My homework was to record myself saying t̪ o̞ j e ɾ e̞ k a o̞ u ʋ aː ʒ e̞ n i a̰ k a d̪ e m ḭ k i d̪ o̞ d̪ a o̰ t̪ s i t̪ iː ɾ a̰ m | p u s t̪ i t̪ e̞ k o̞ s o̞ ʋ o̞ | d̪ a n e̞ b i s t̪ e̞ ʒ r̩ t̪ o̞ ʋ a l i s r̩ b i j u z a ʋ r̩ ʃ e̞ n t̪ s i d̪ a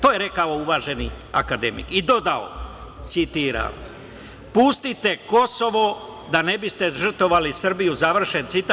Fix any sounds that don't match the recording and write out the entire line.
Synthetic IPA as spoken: t̪ o̞ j e ɾ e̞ k a o̞ u ʋ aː ʒ e̞ n i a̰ k a d̪ e m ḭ k i d̪ o̞ d̪ a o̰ t̪ s i t̪ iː ɾ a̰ m | p u s t̪ i t̪ e̞ k o̞ s o̞ ʋ o̞ | d̪ a n e̞ b i s t̪ e̞ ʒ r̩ t̪ o̞ ʋ a l i s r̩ b i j u z a ʋ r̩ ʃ e̞ n t̪ s i t̪ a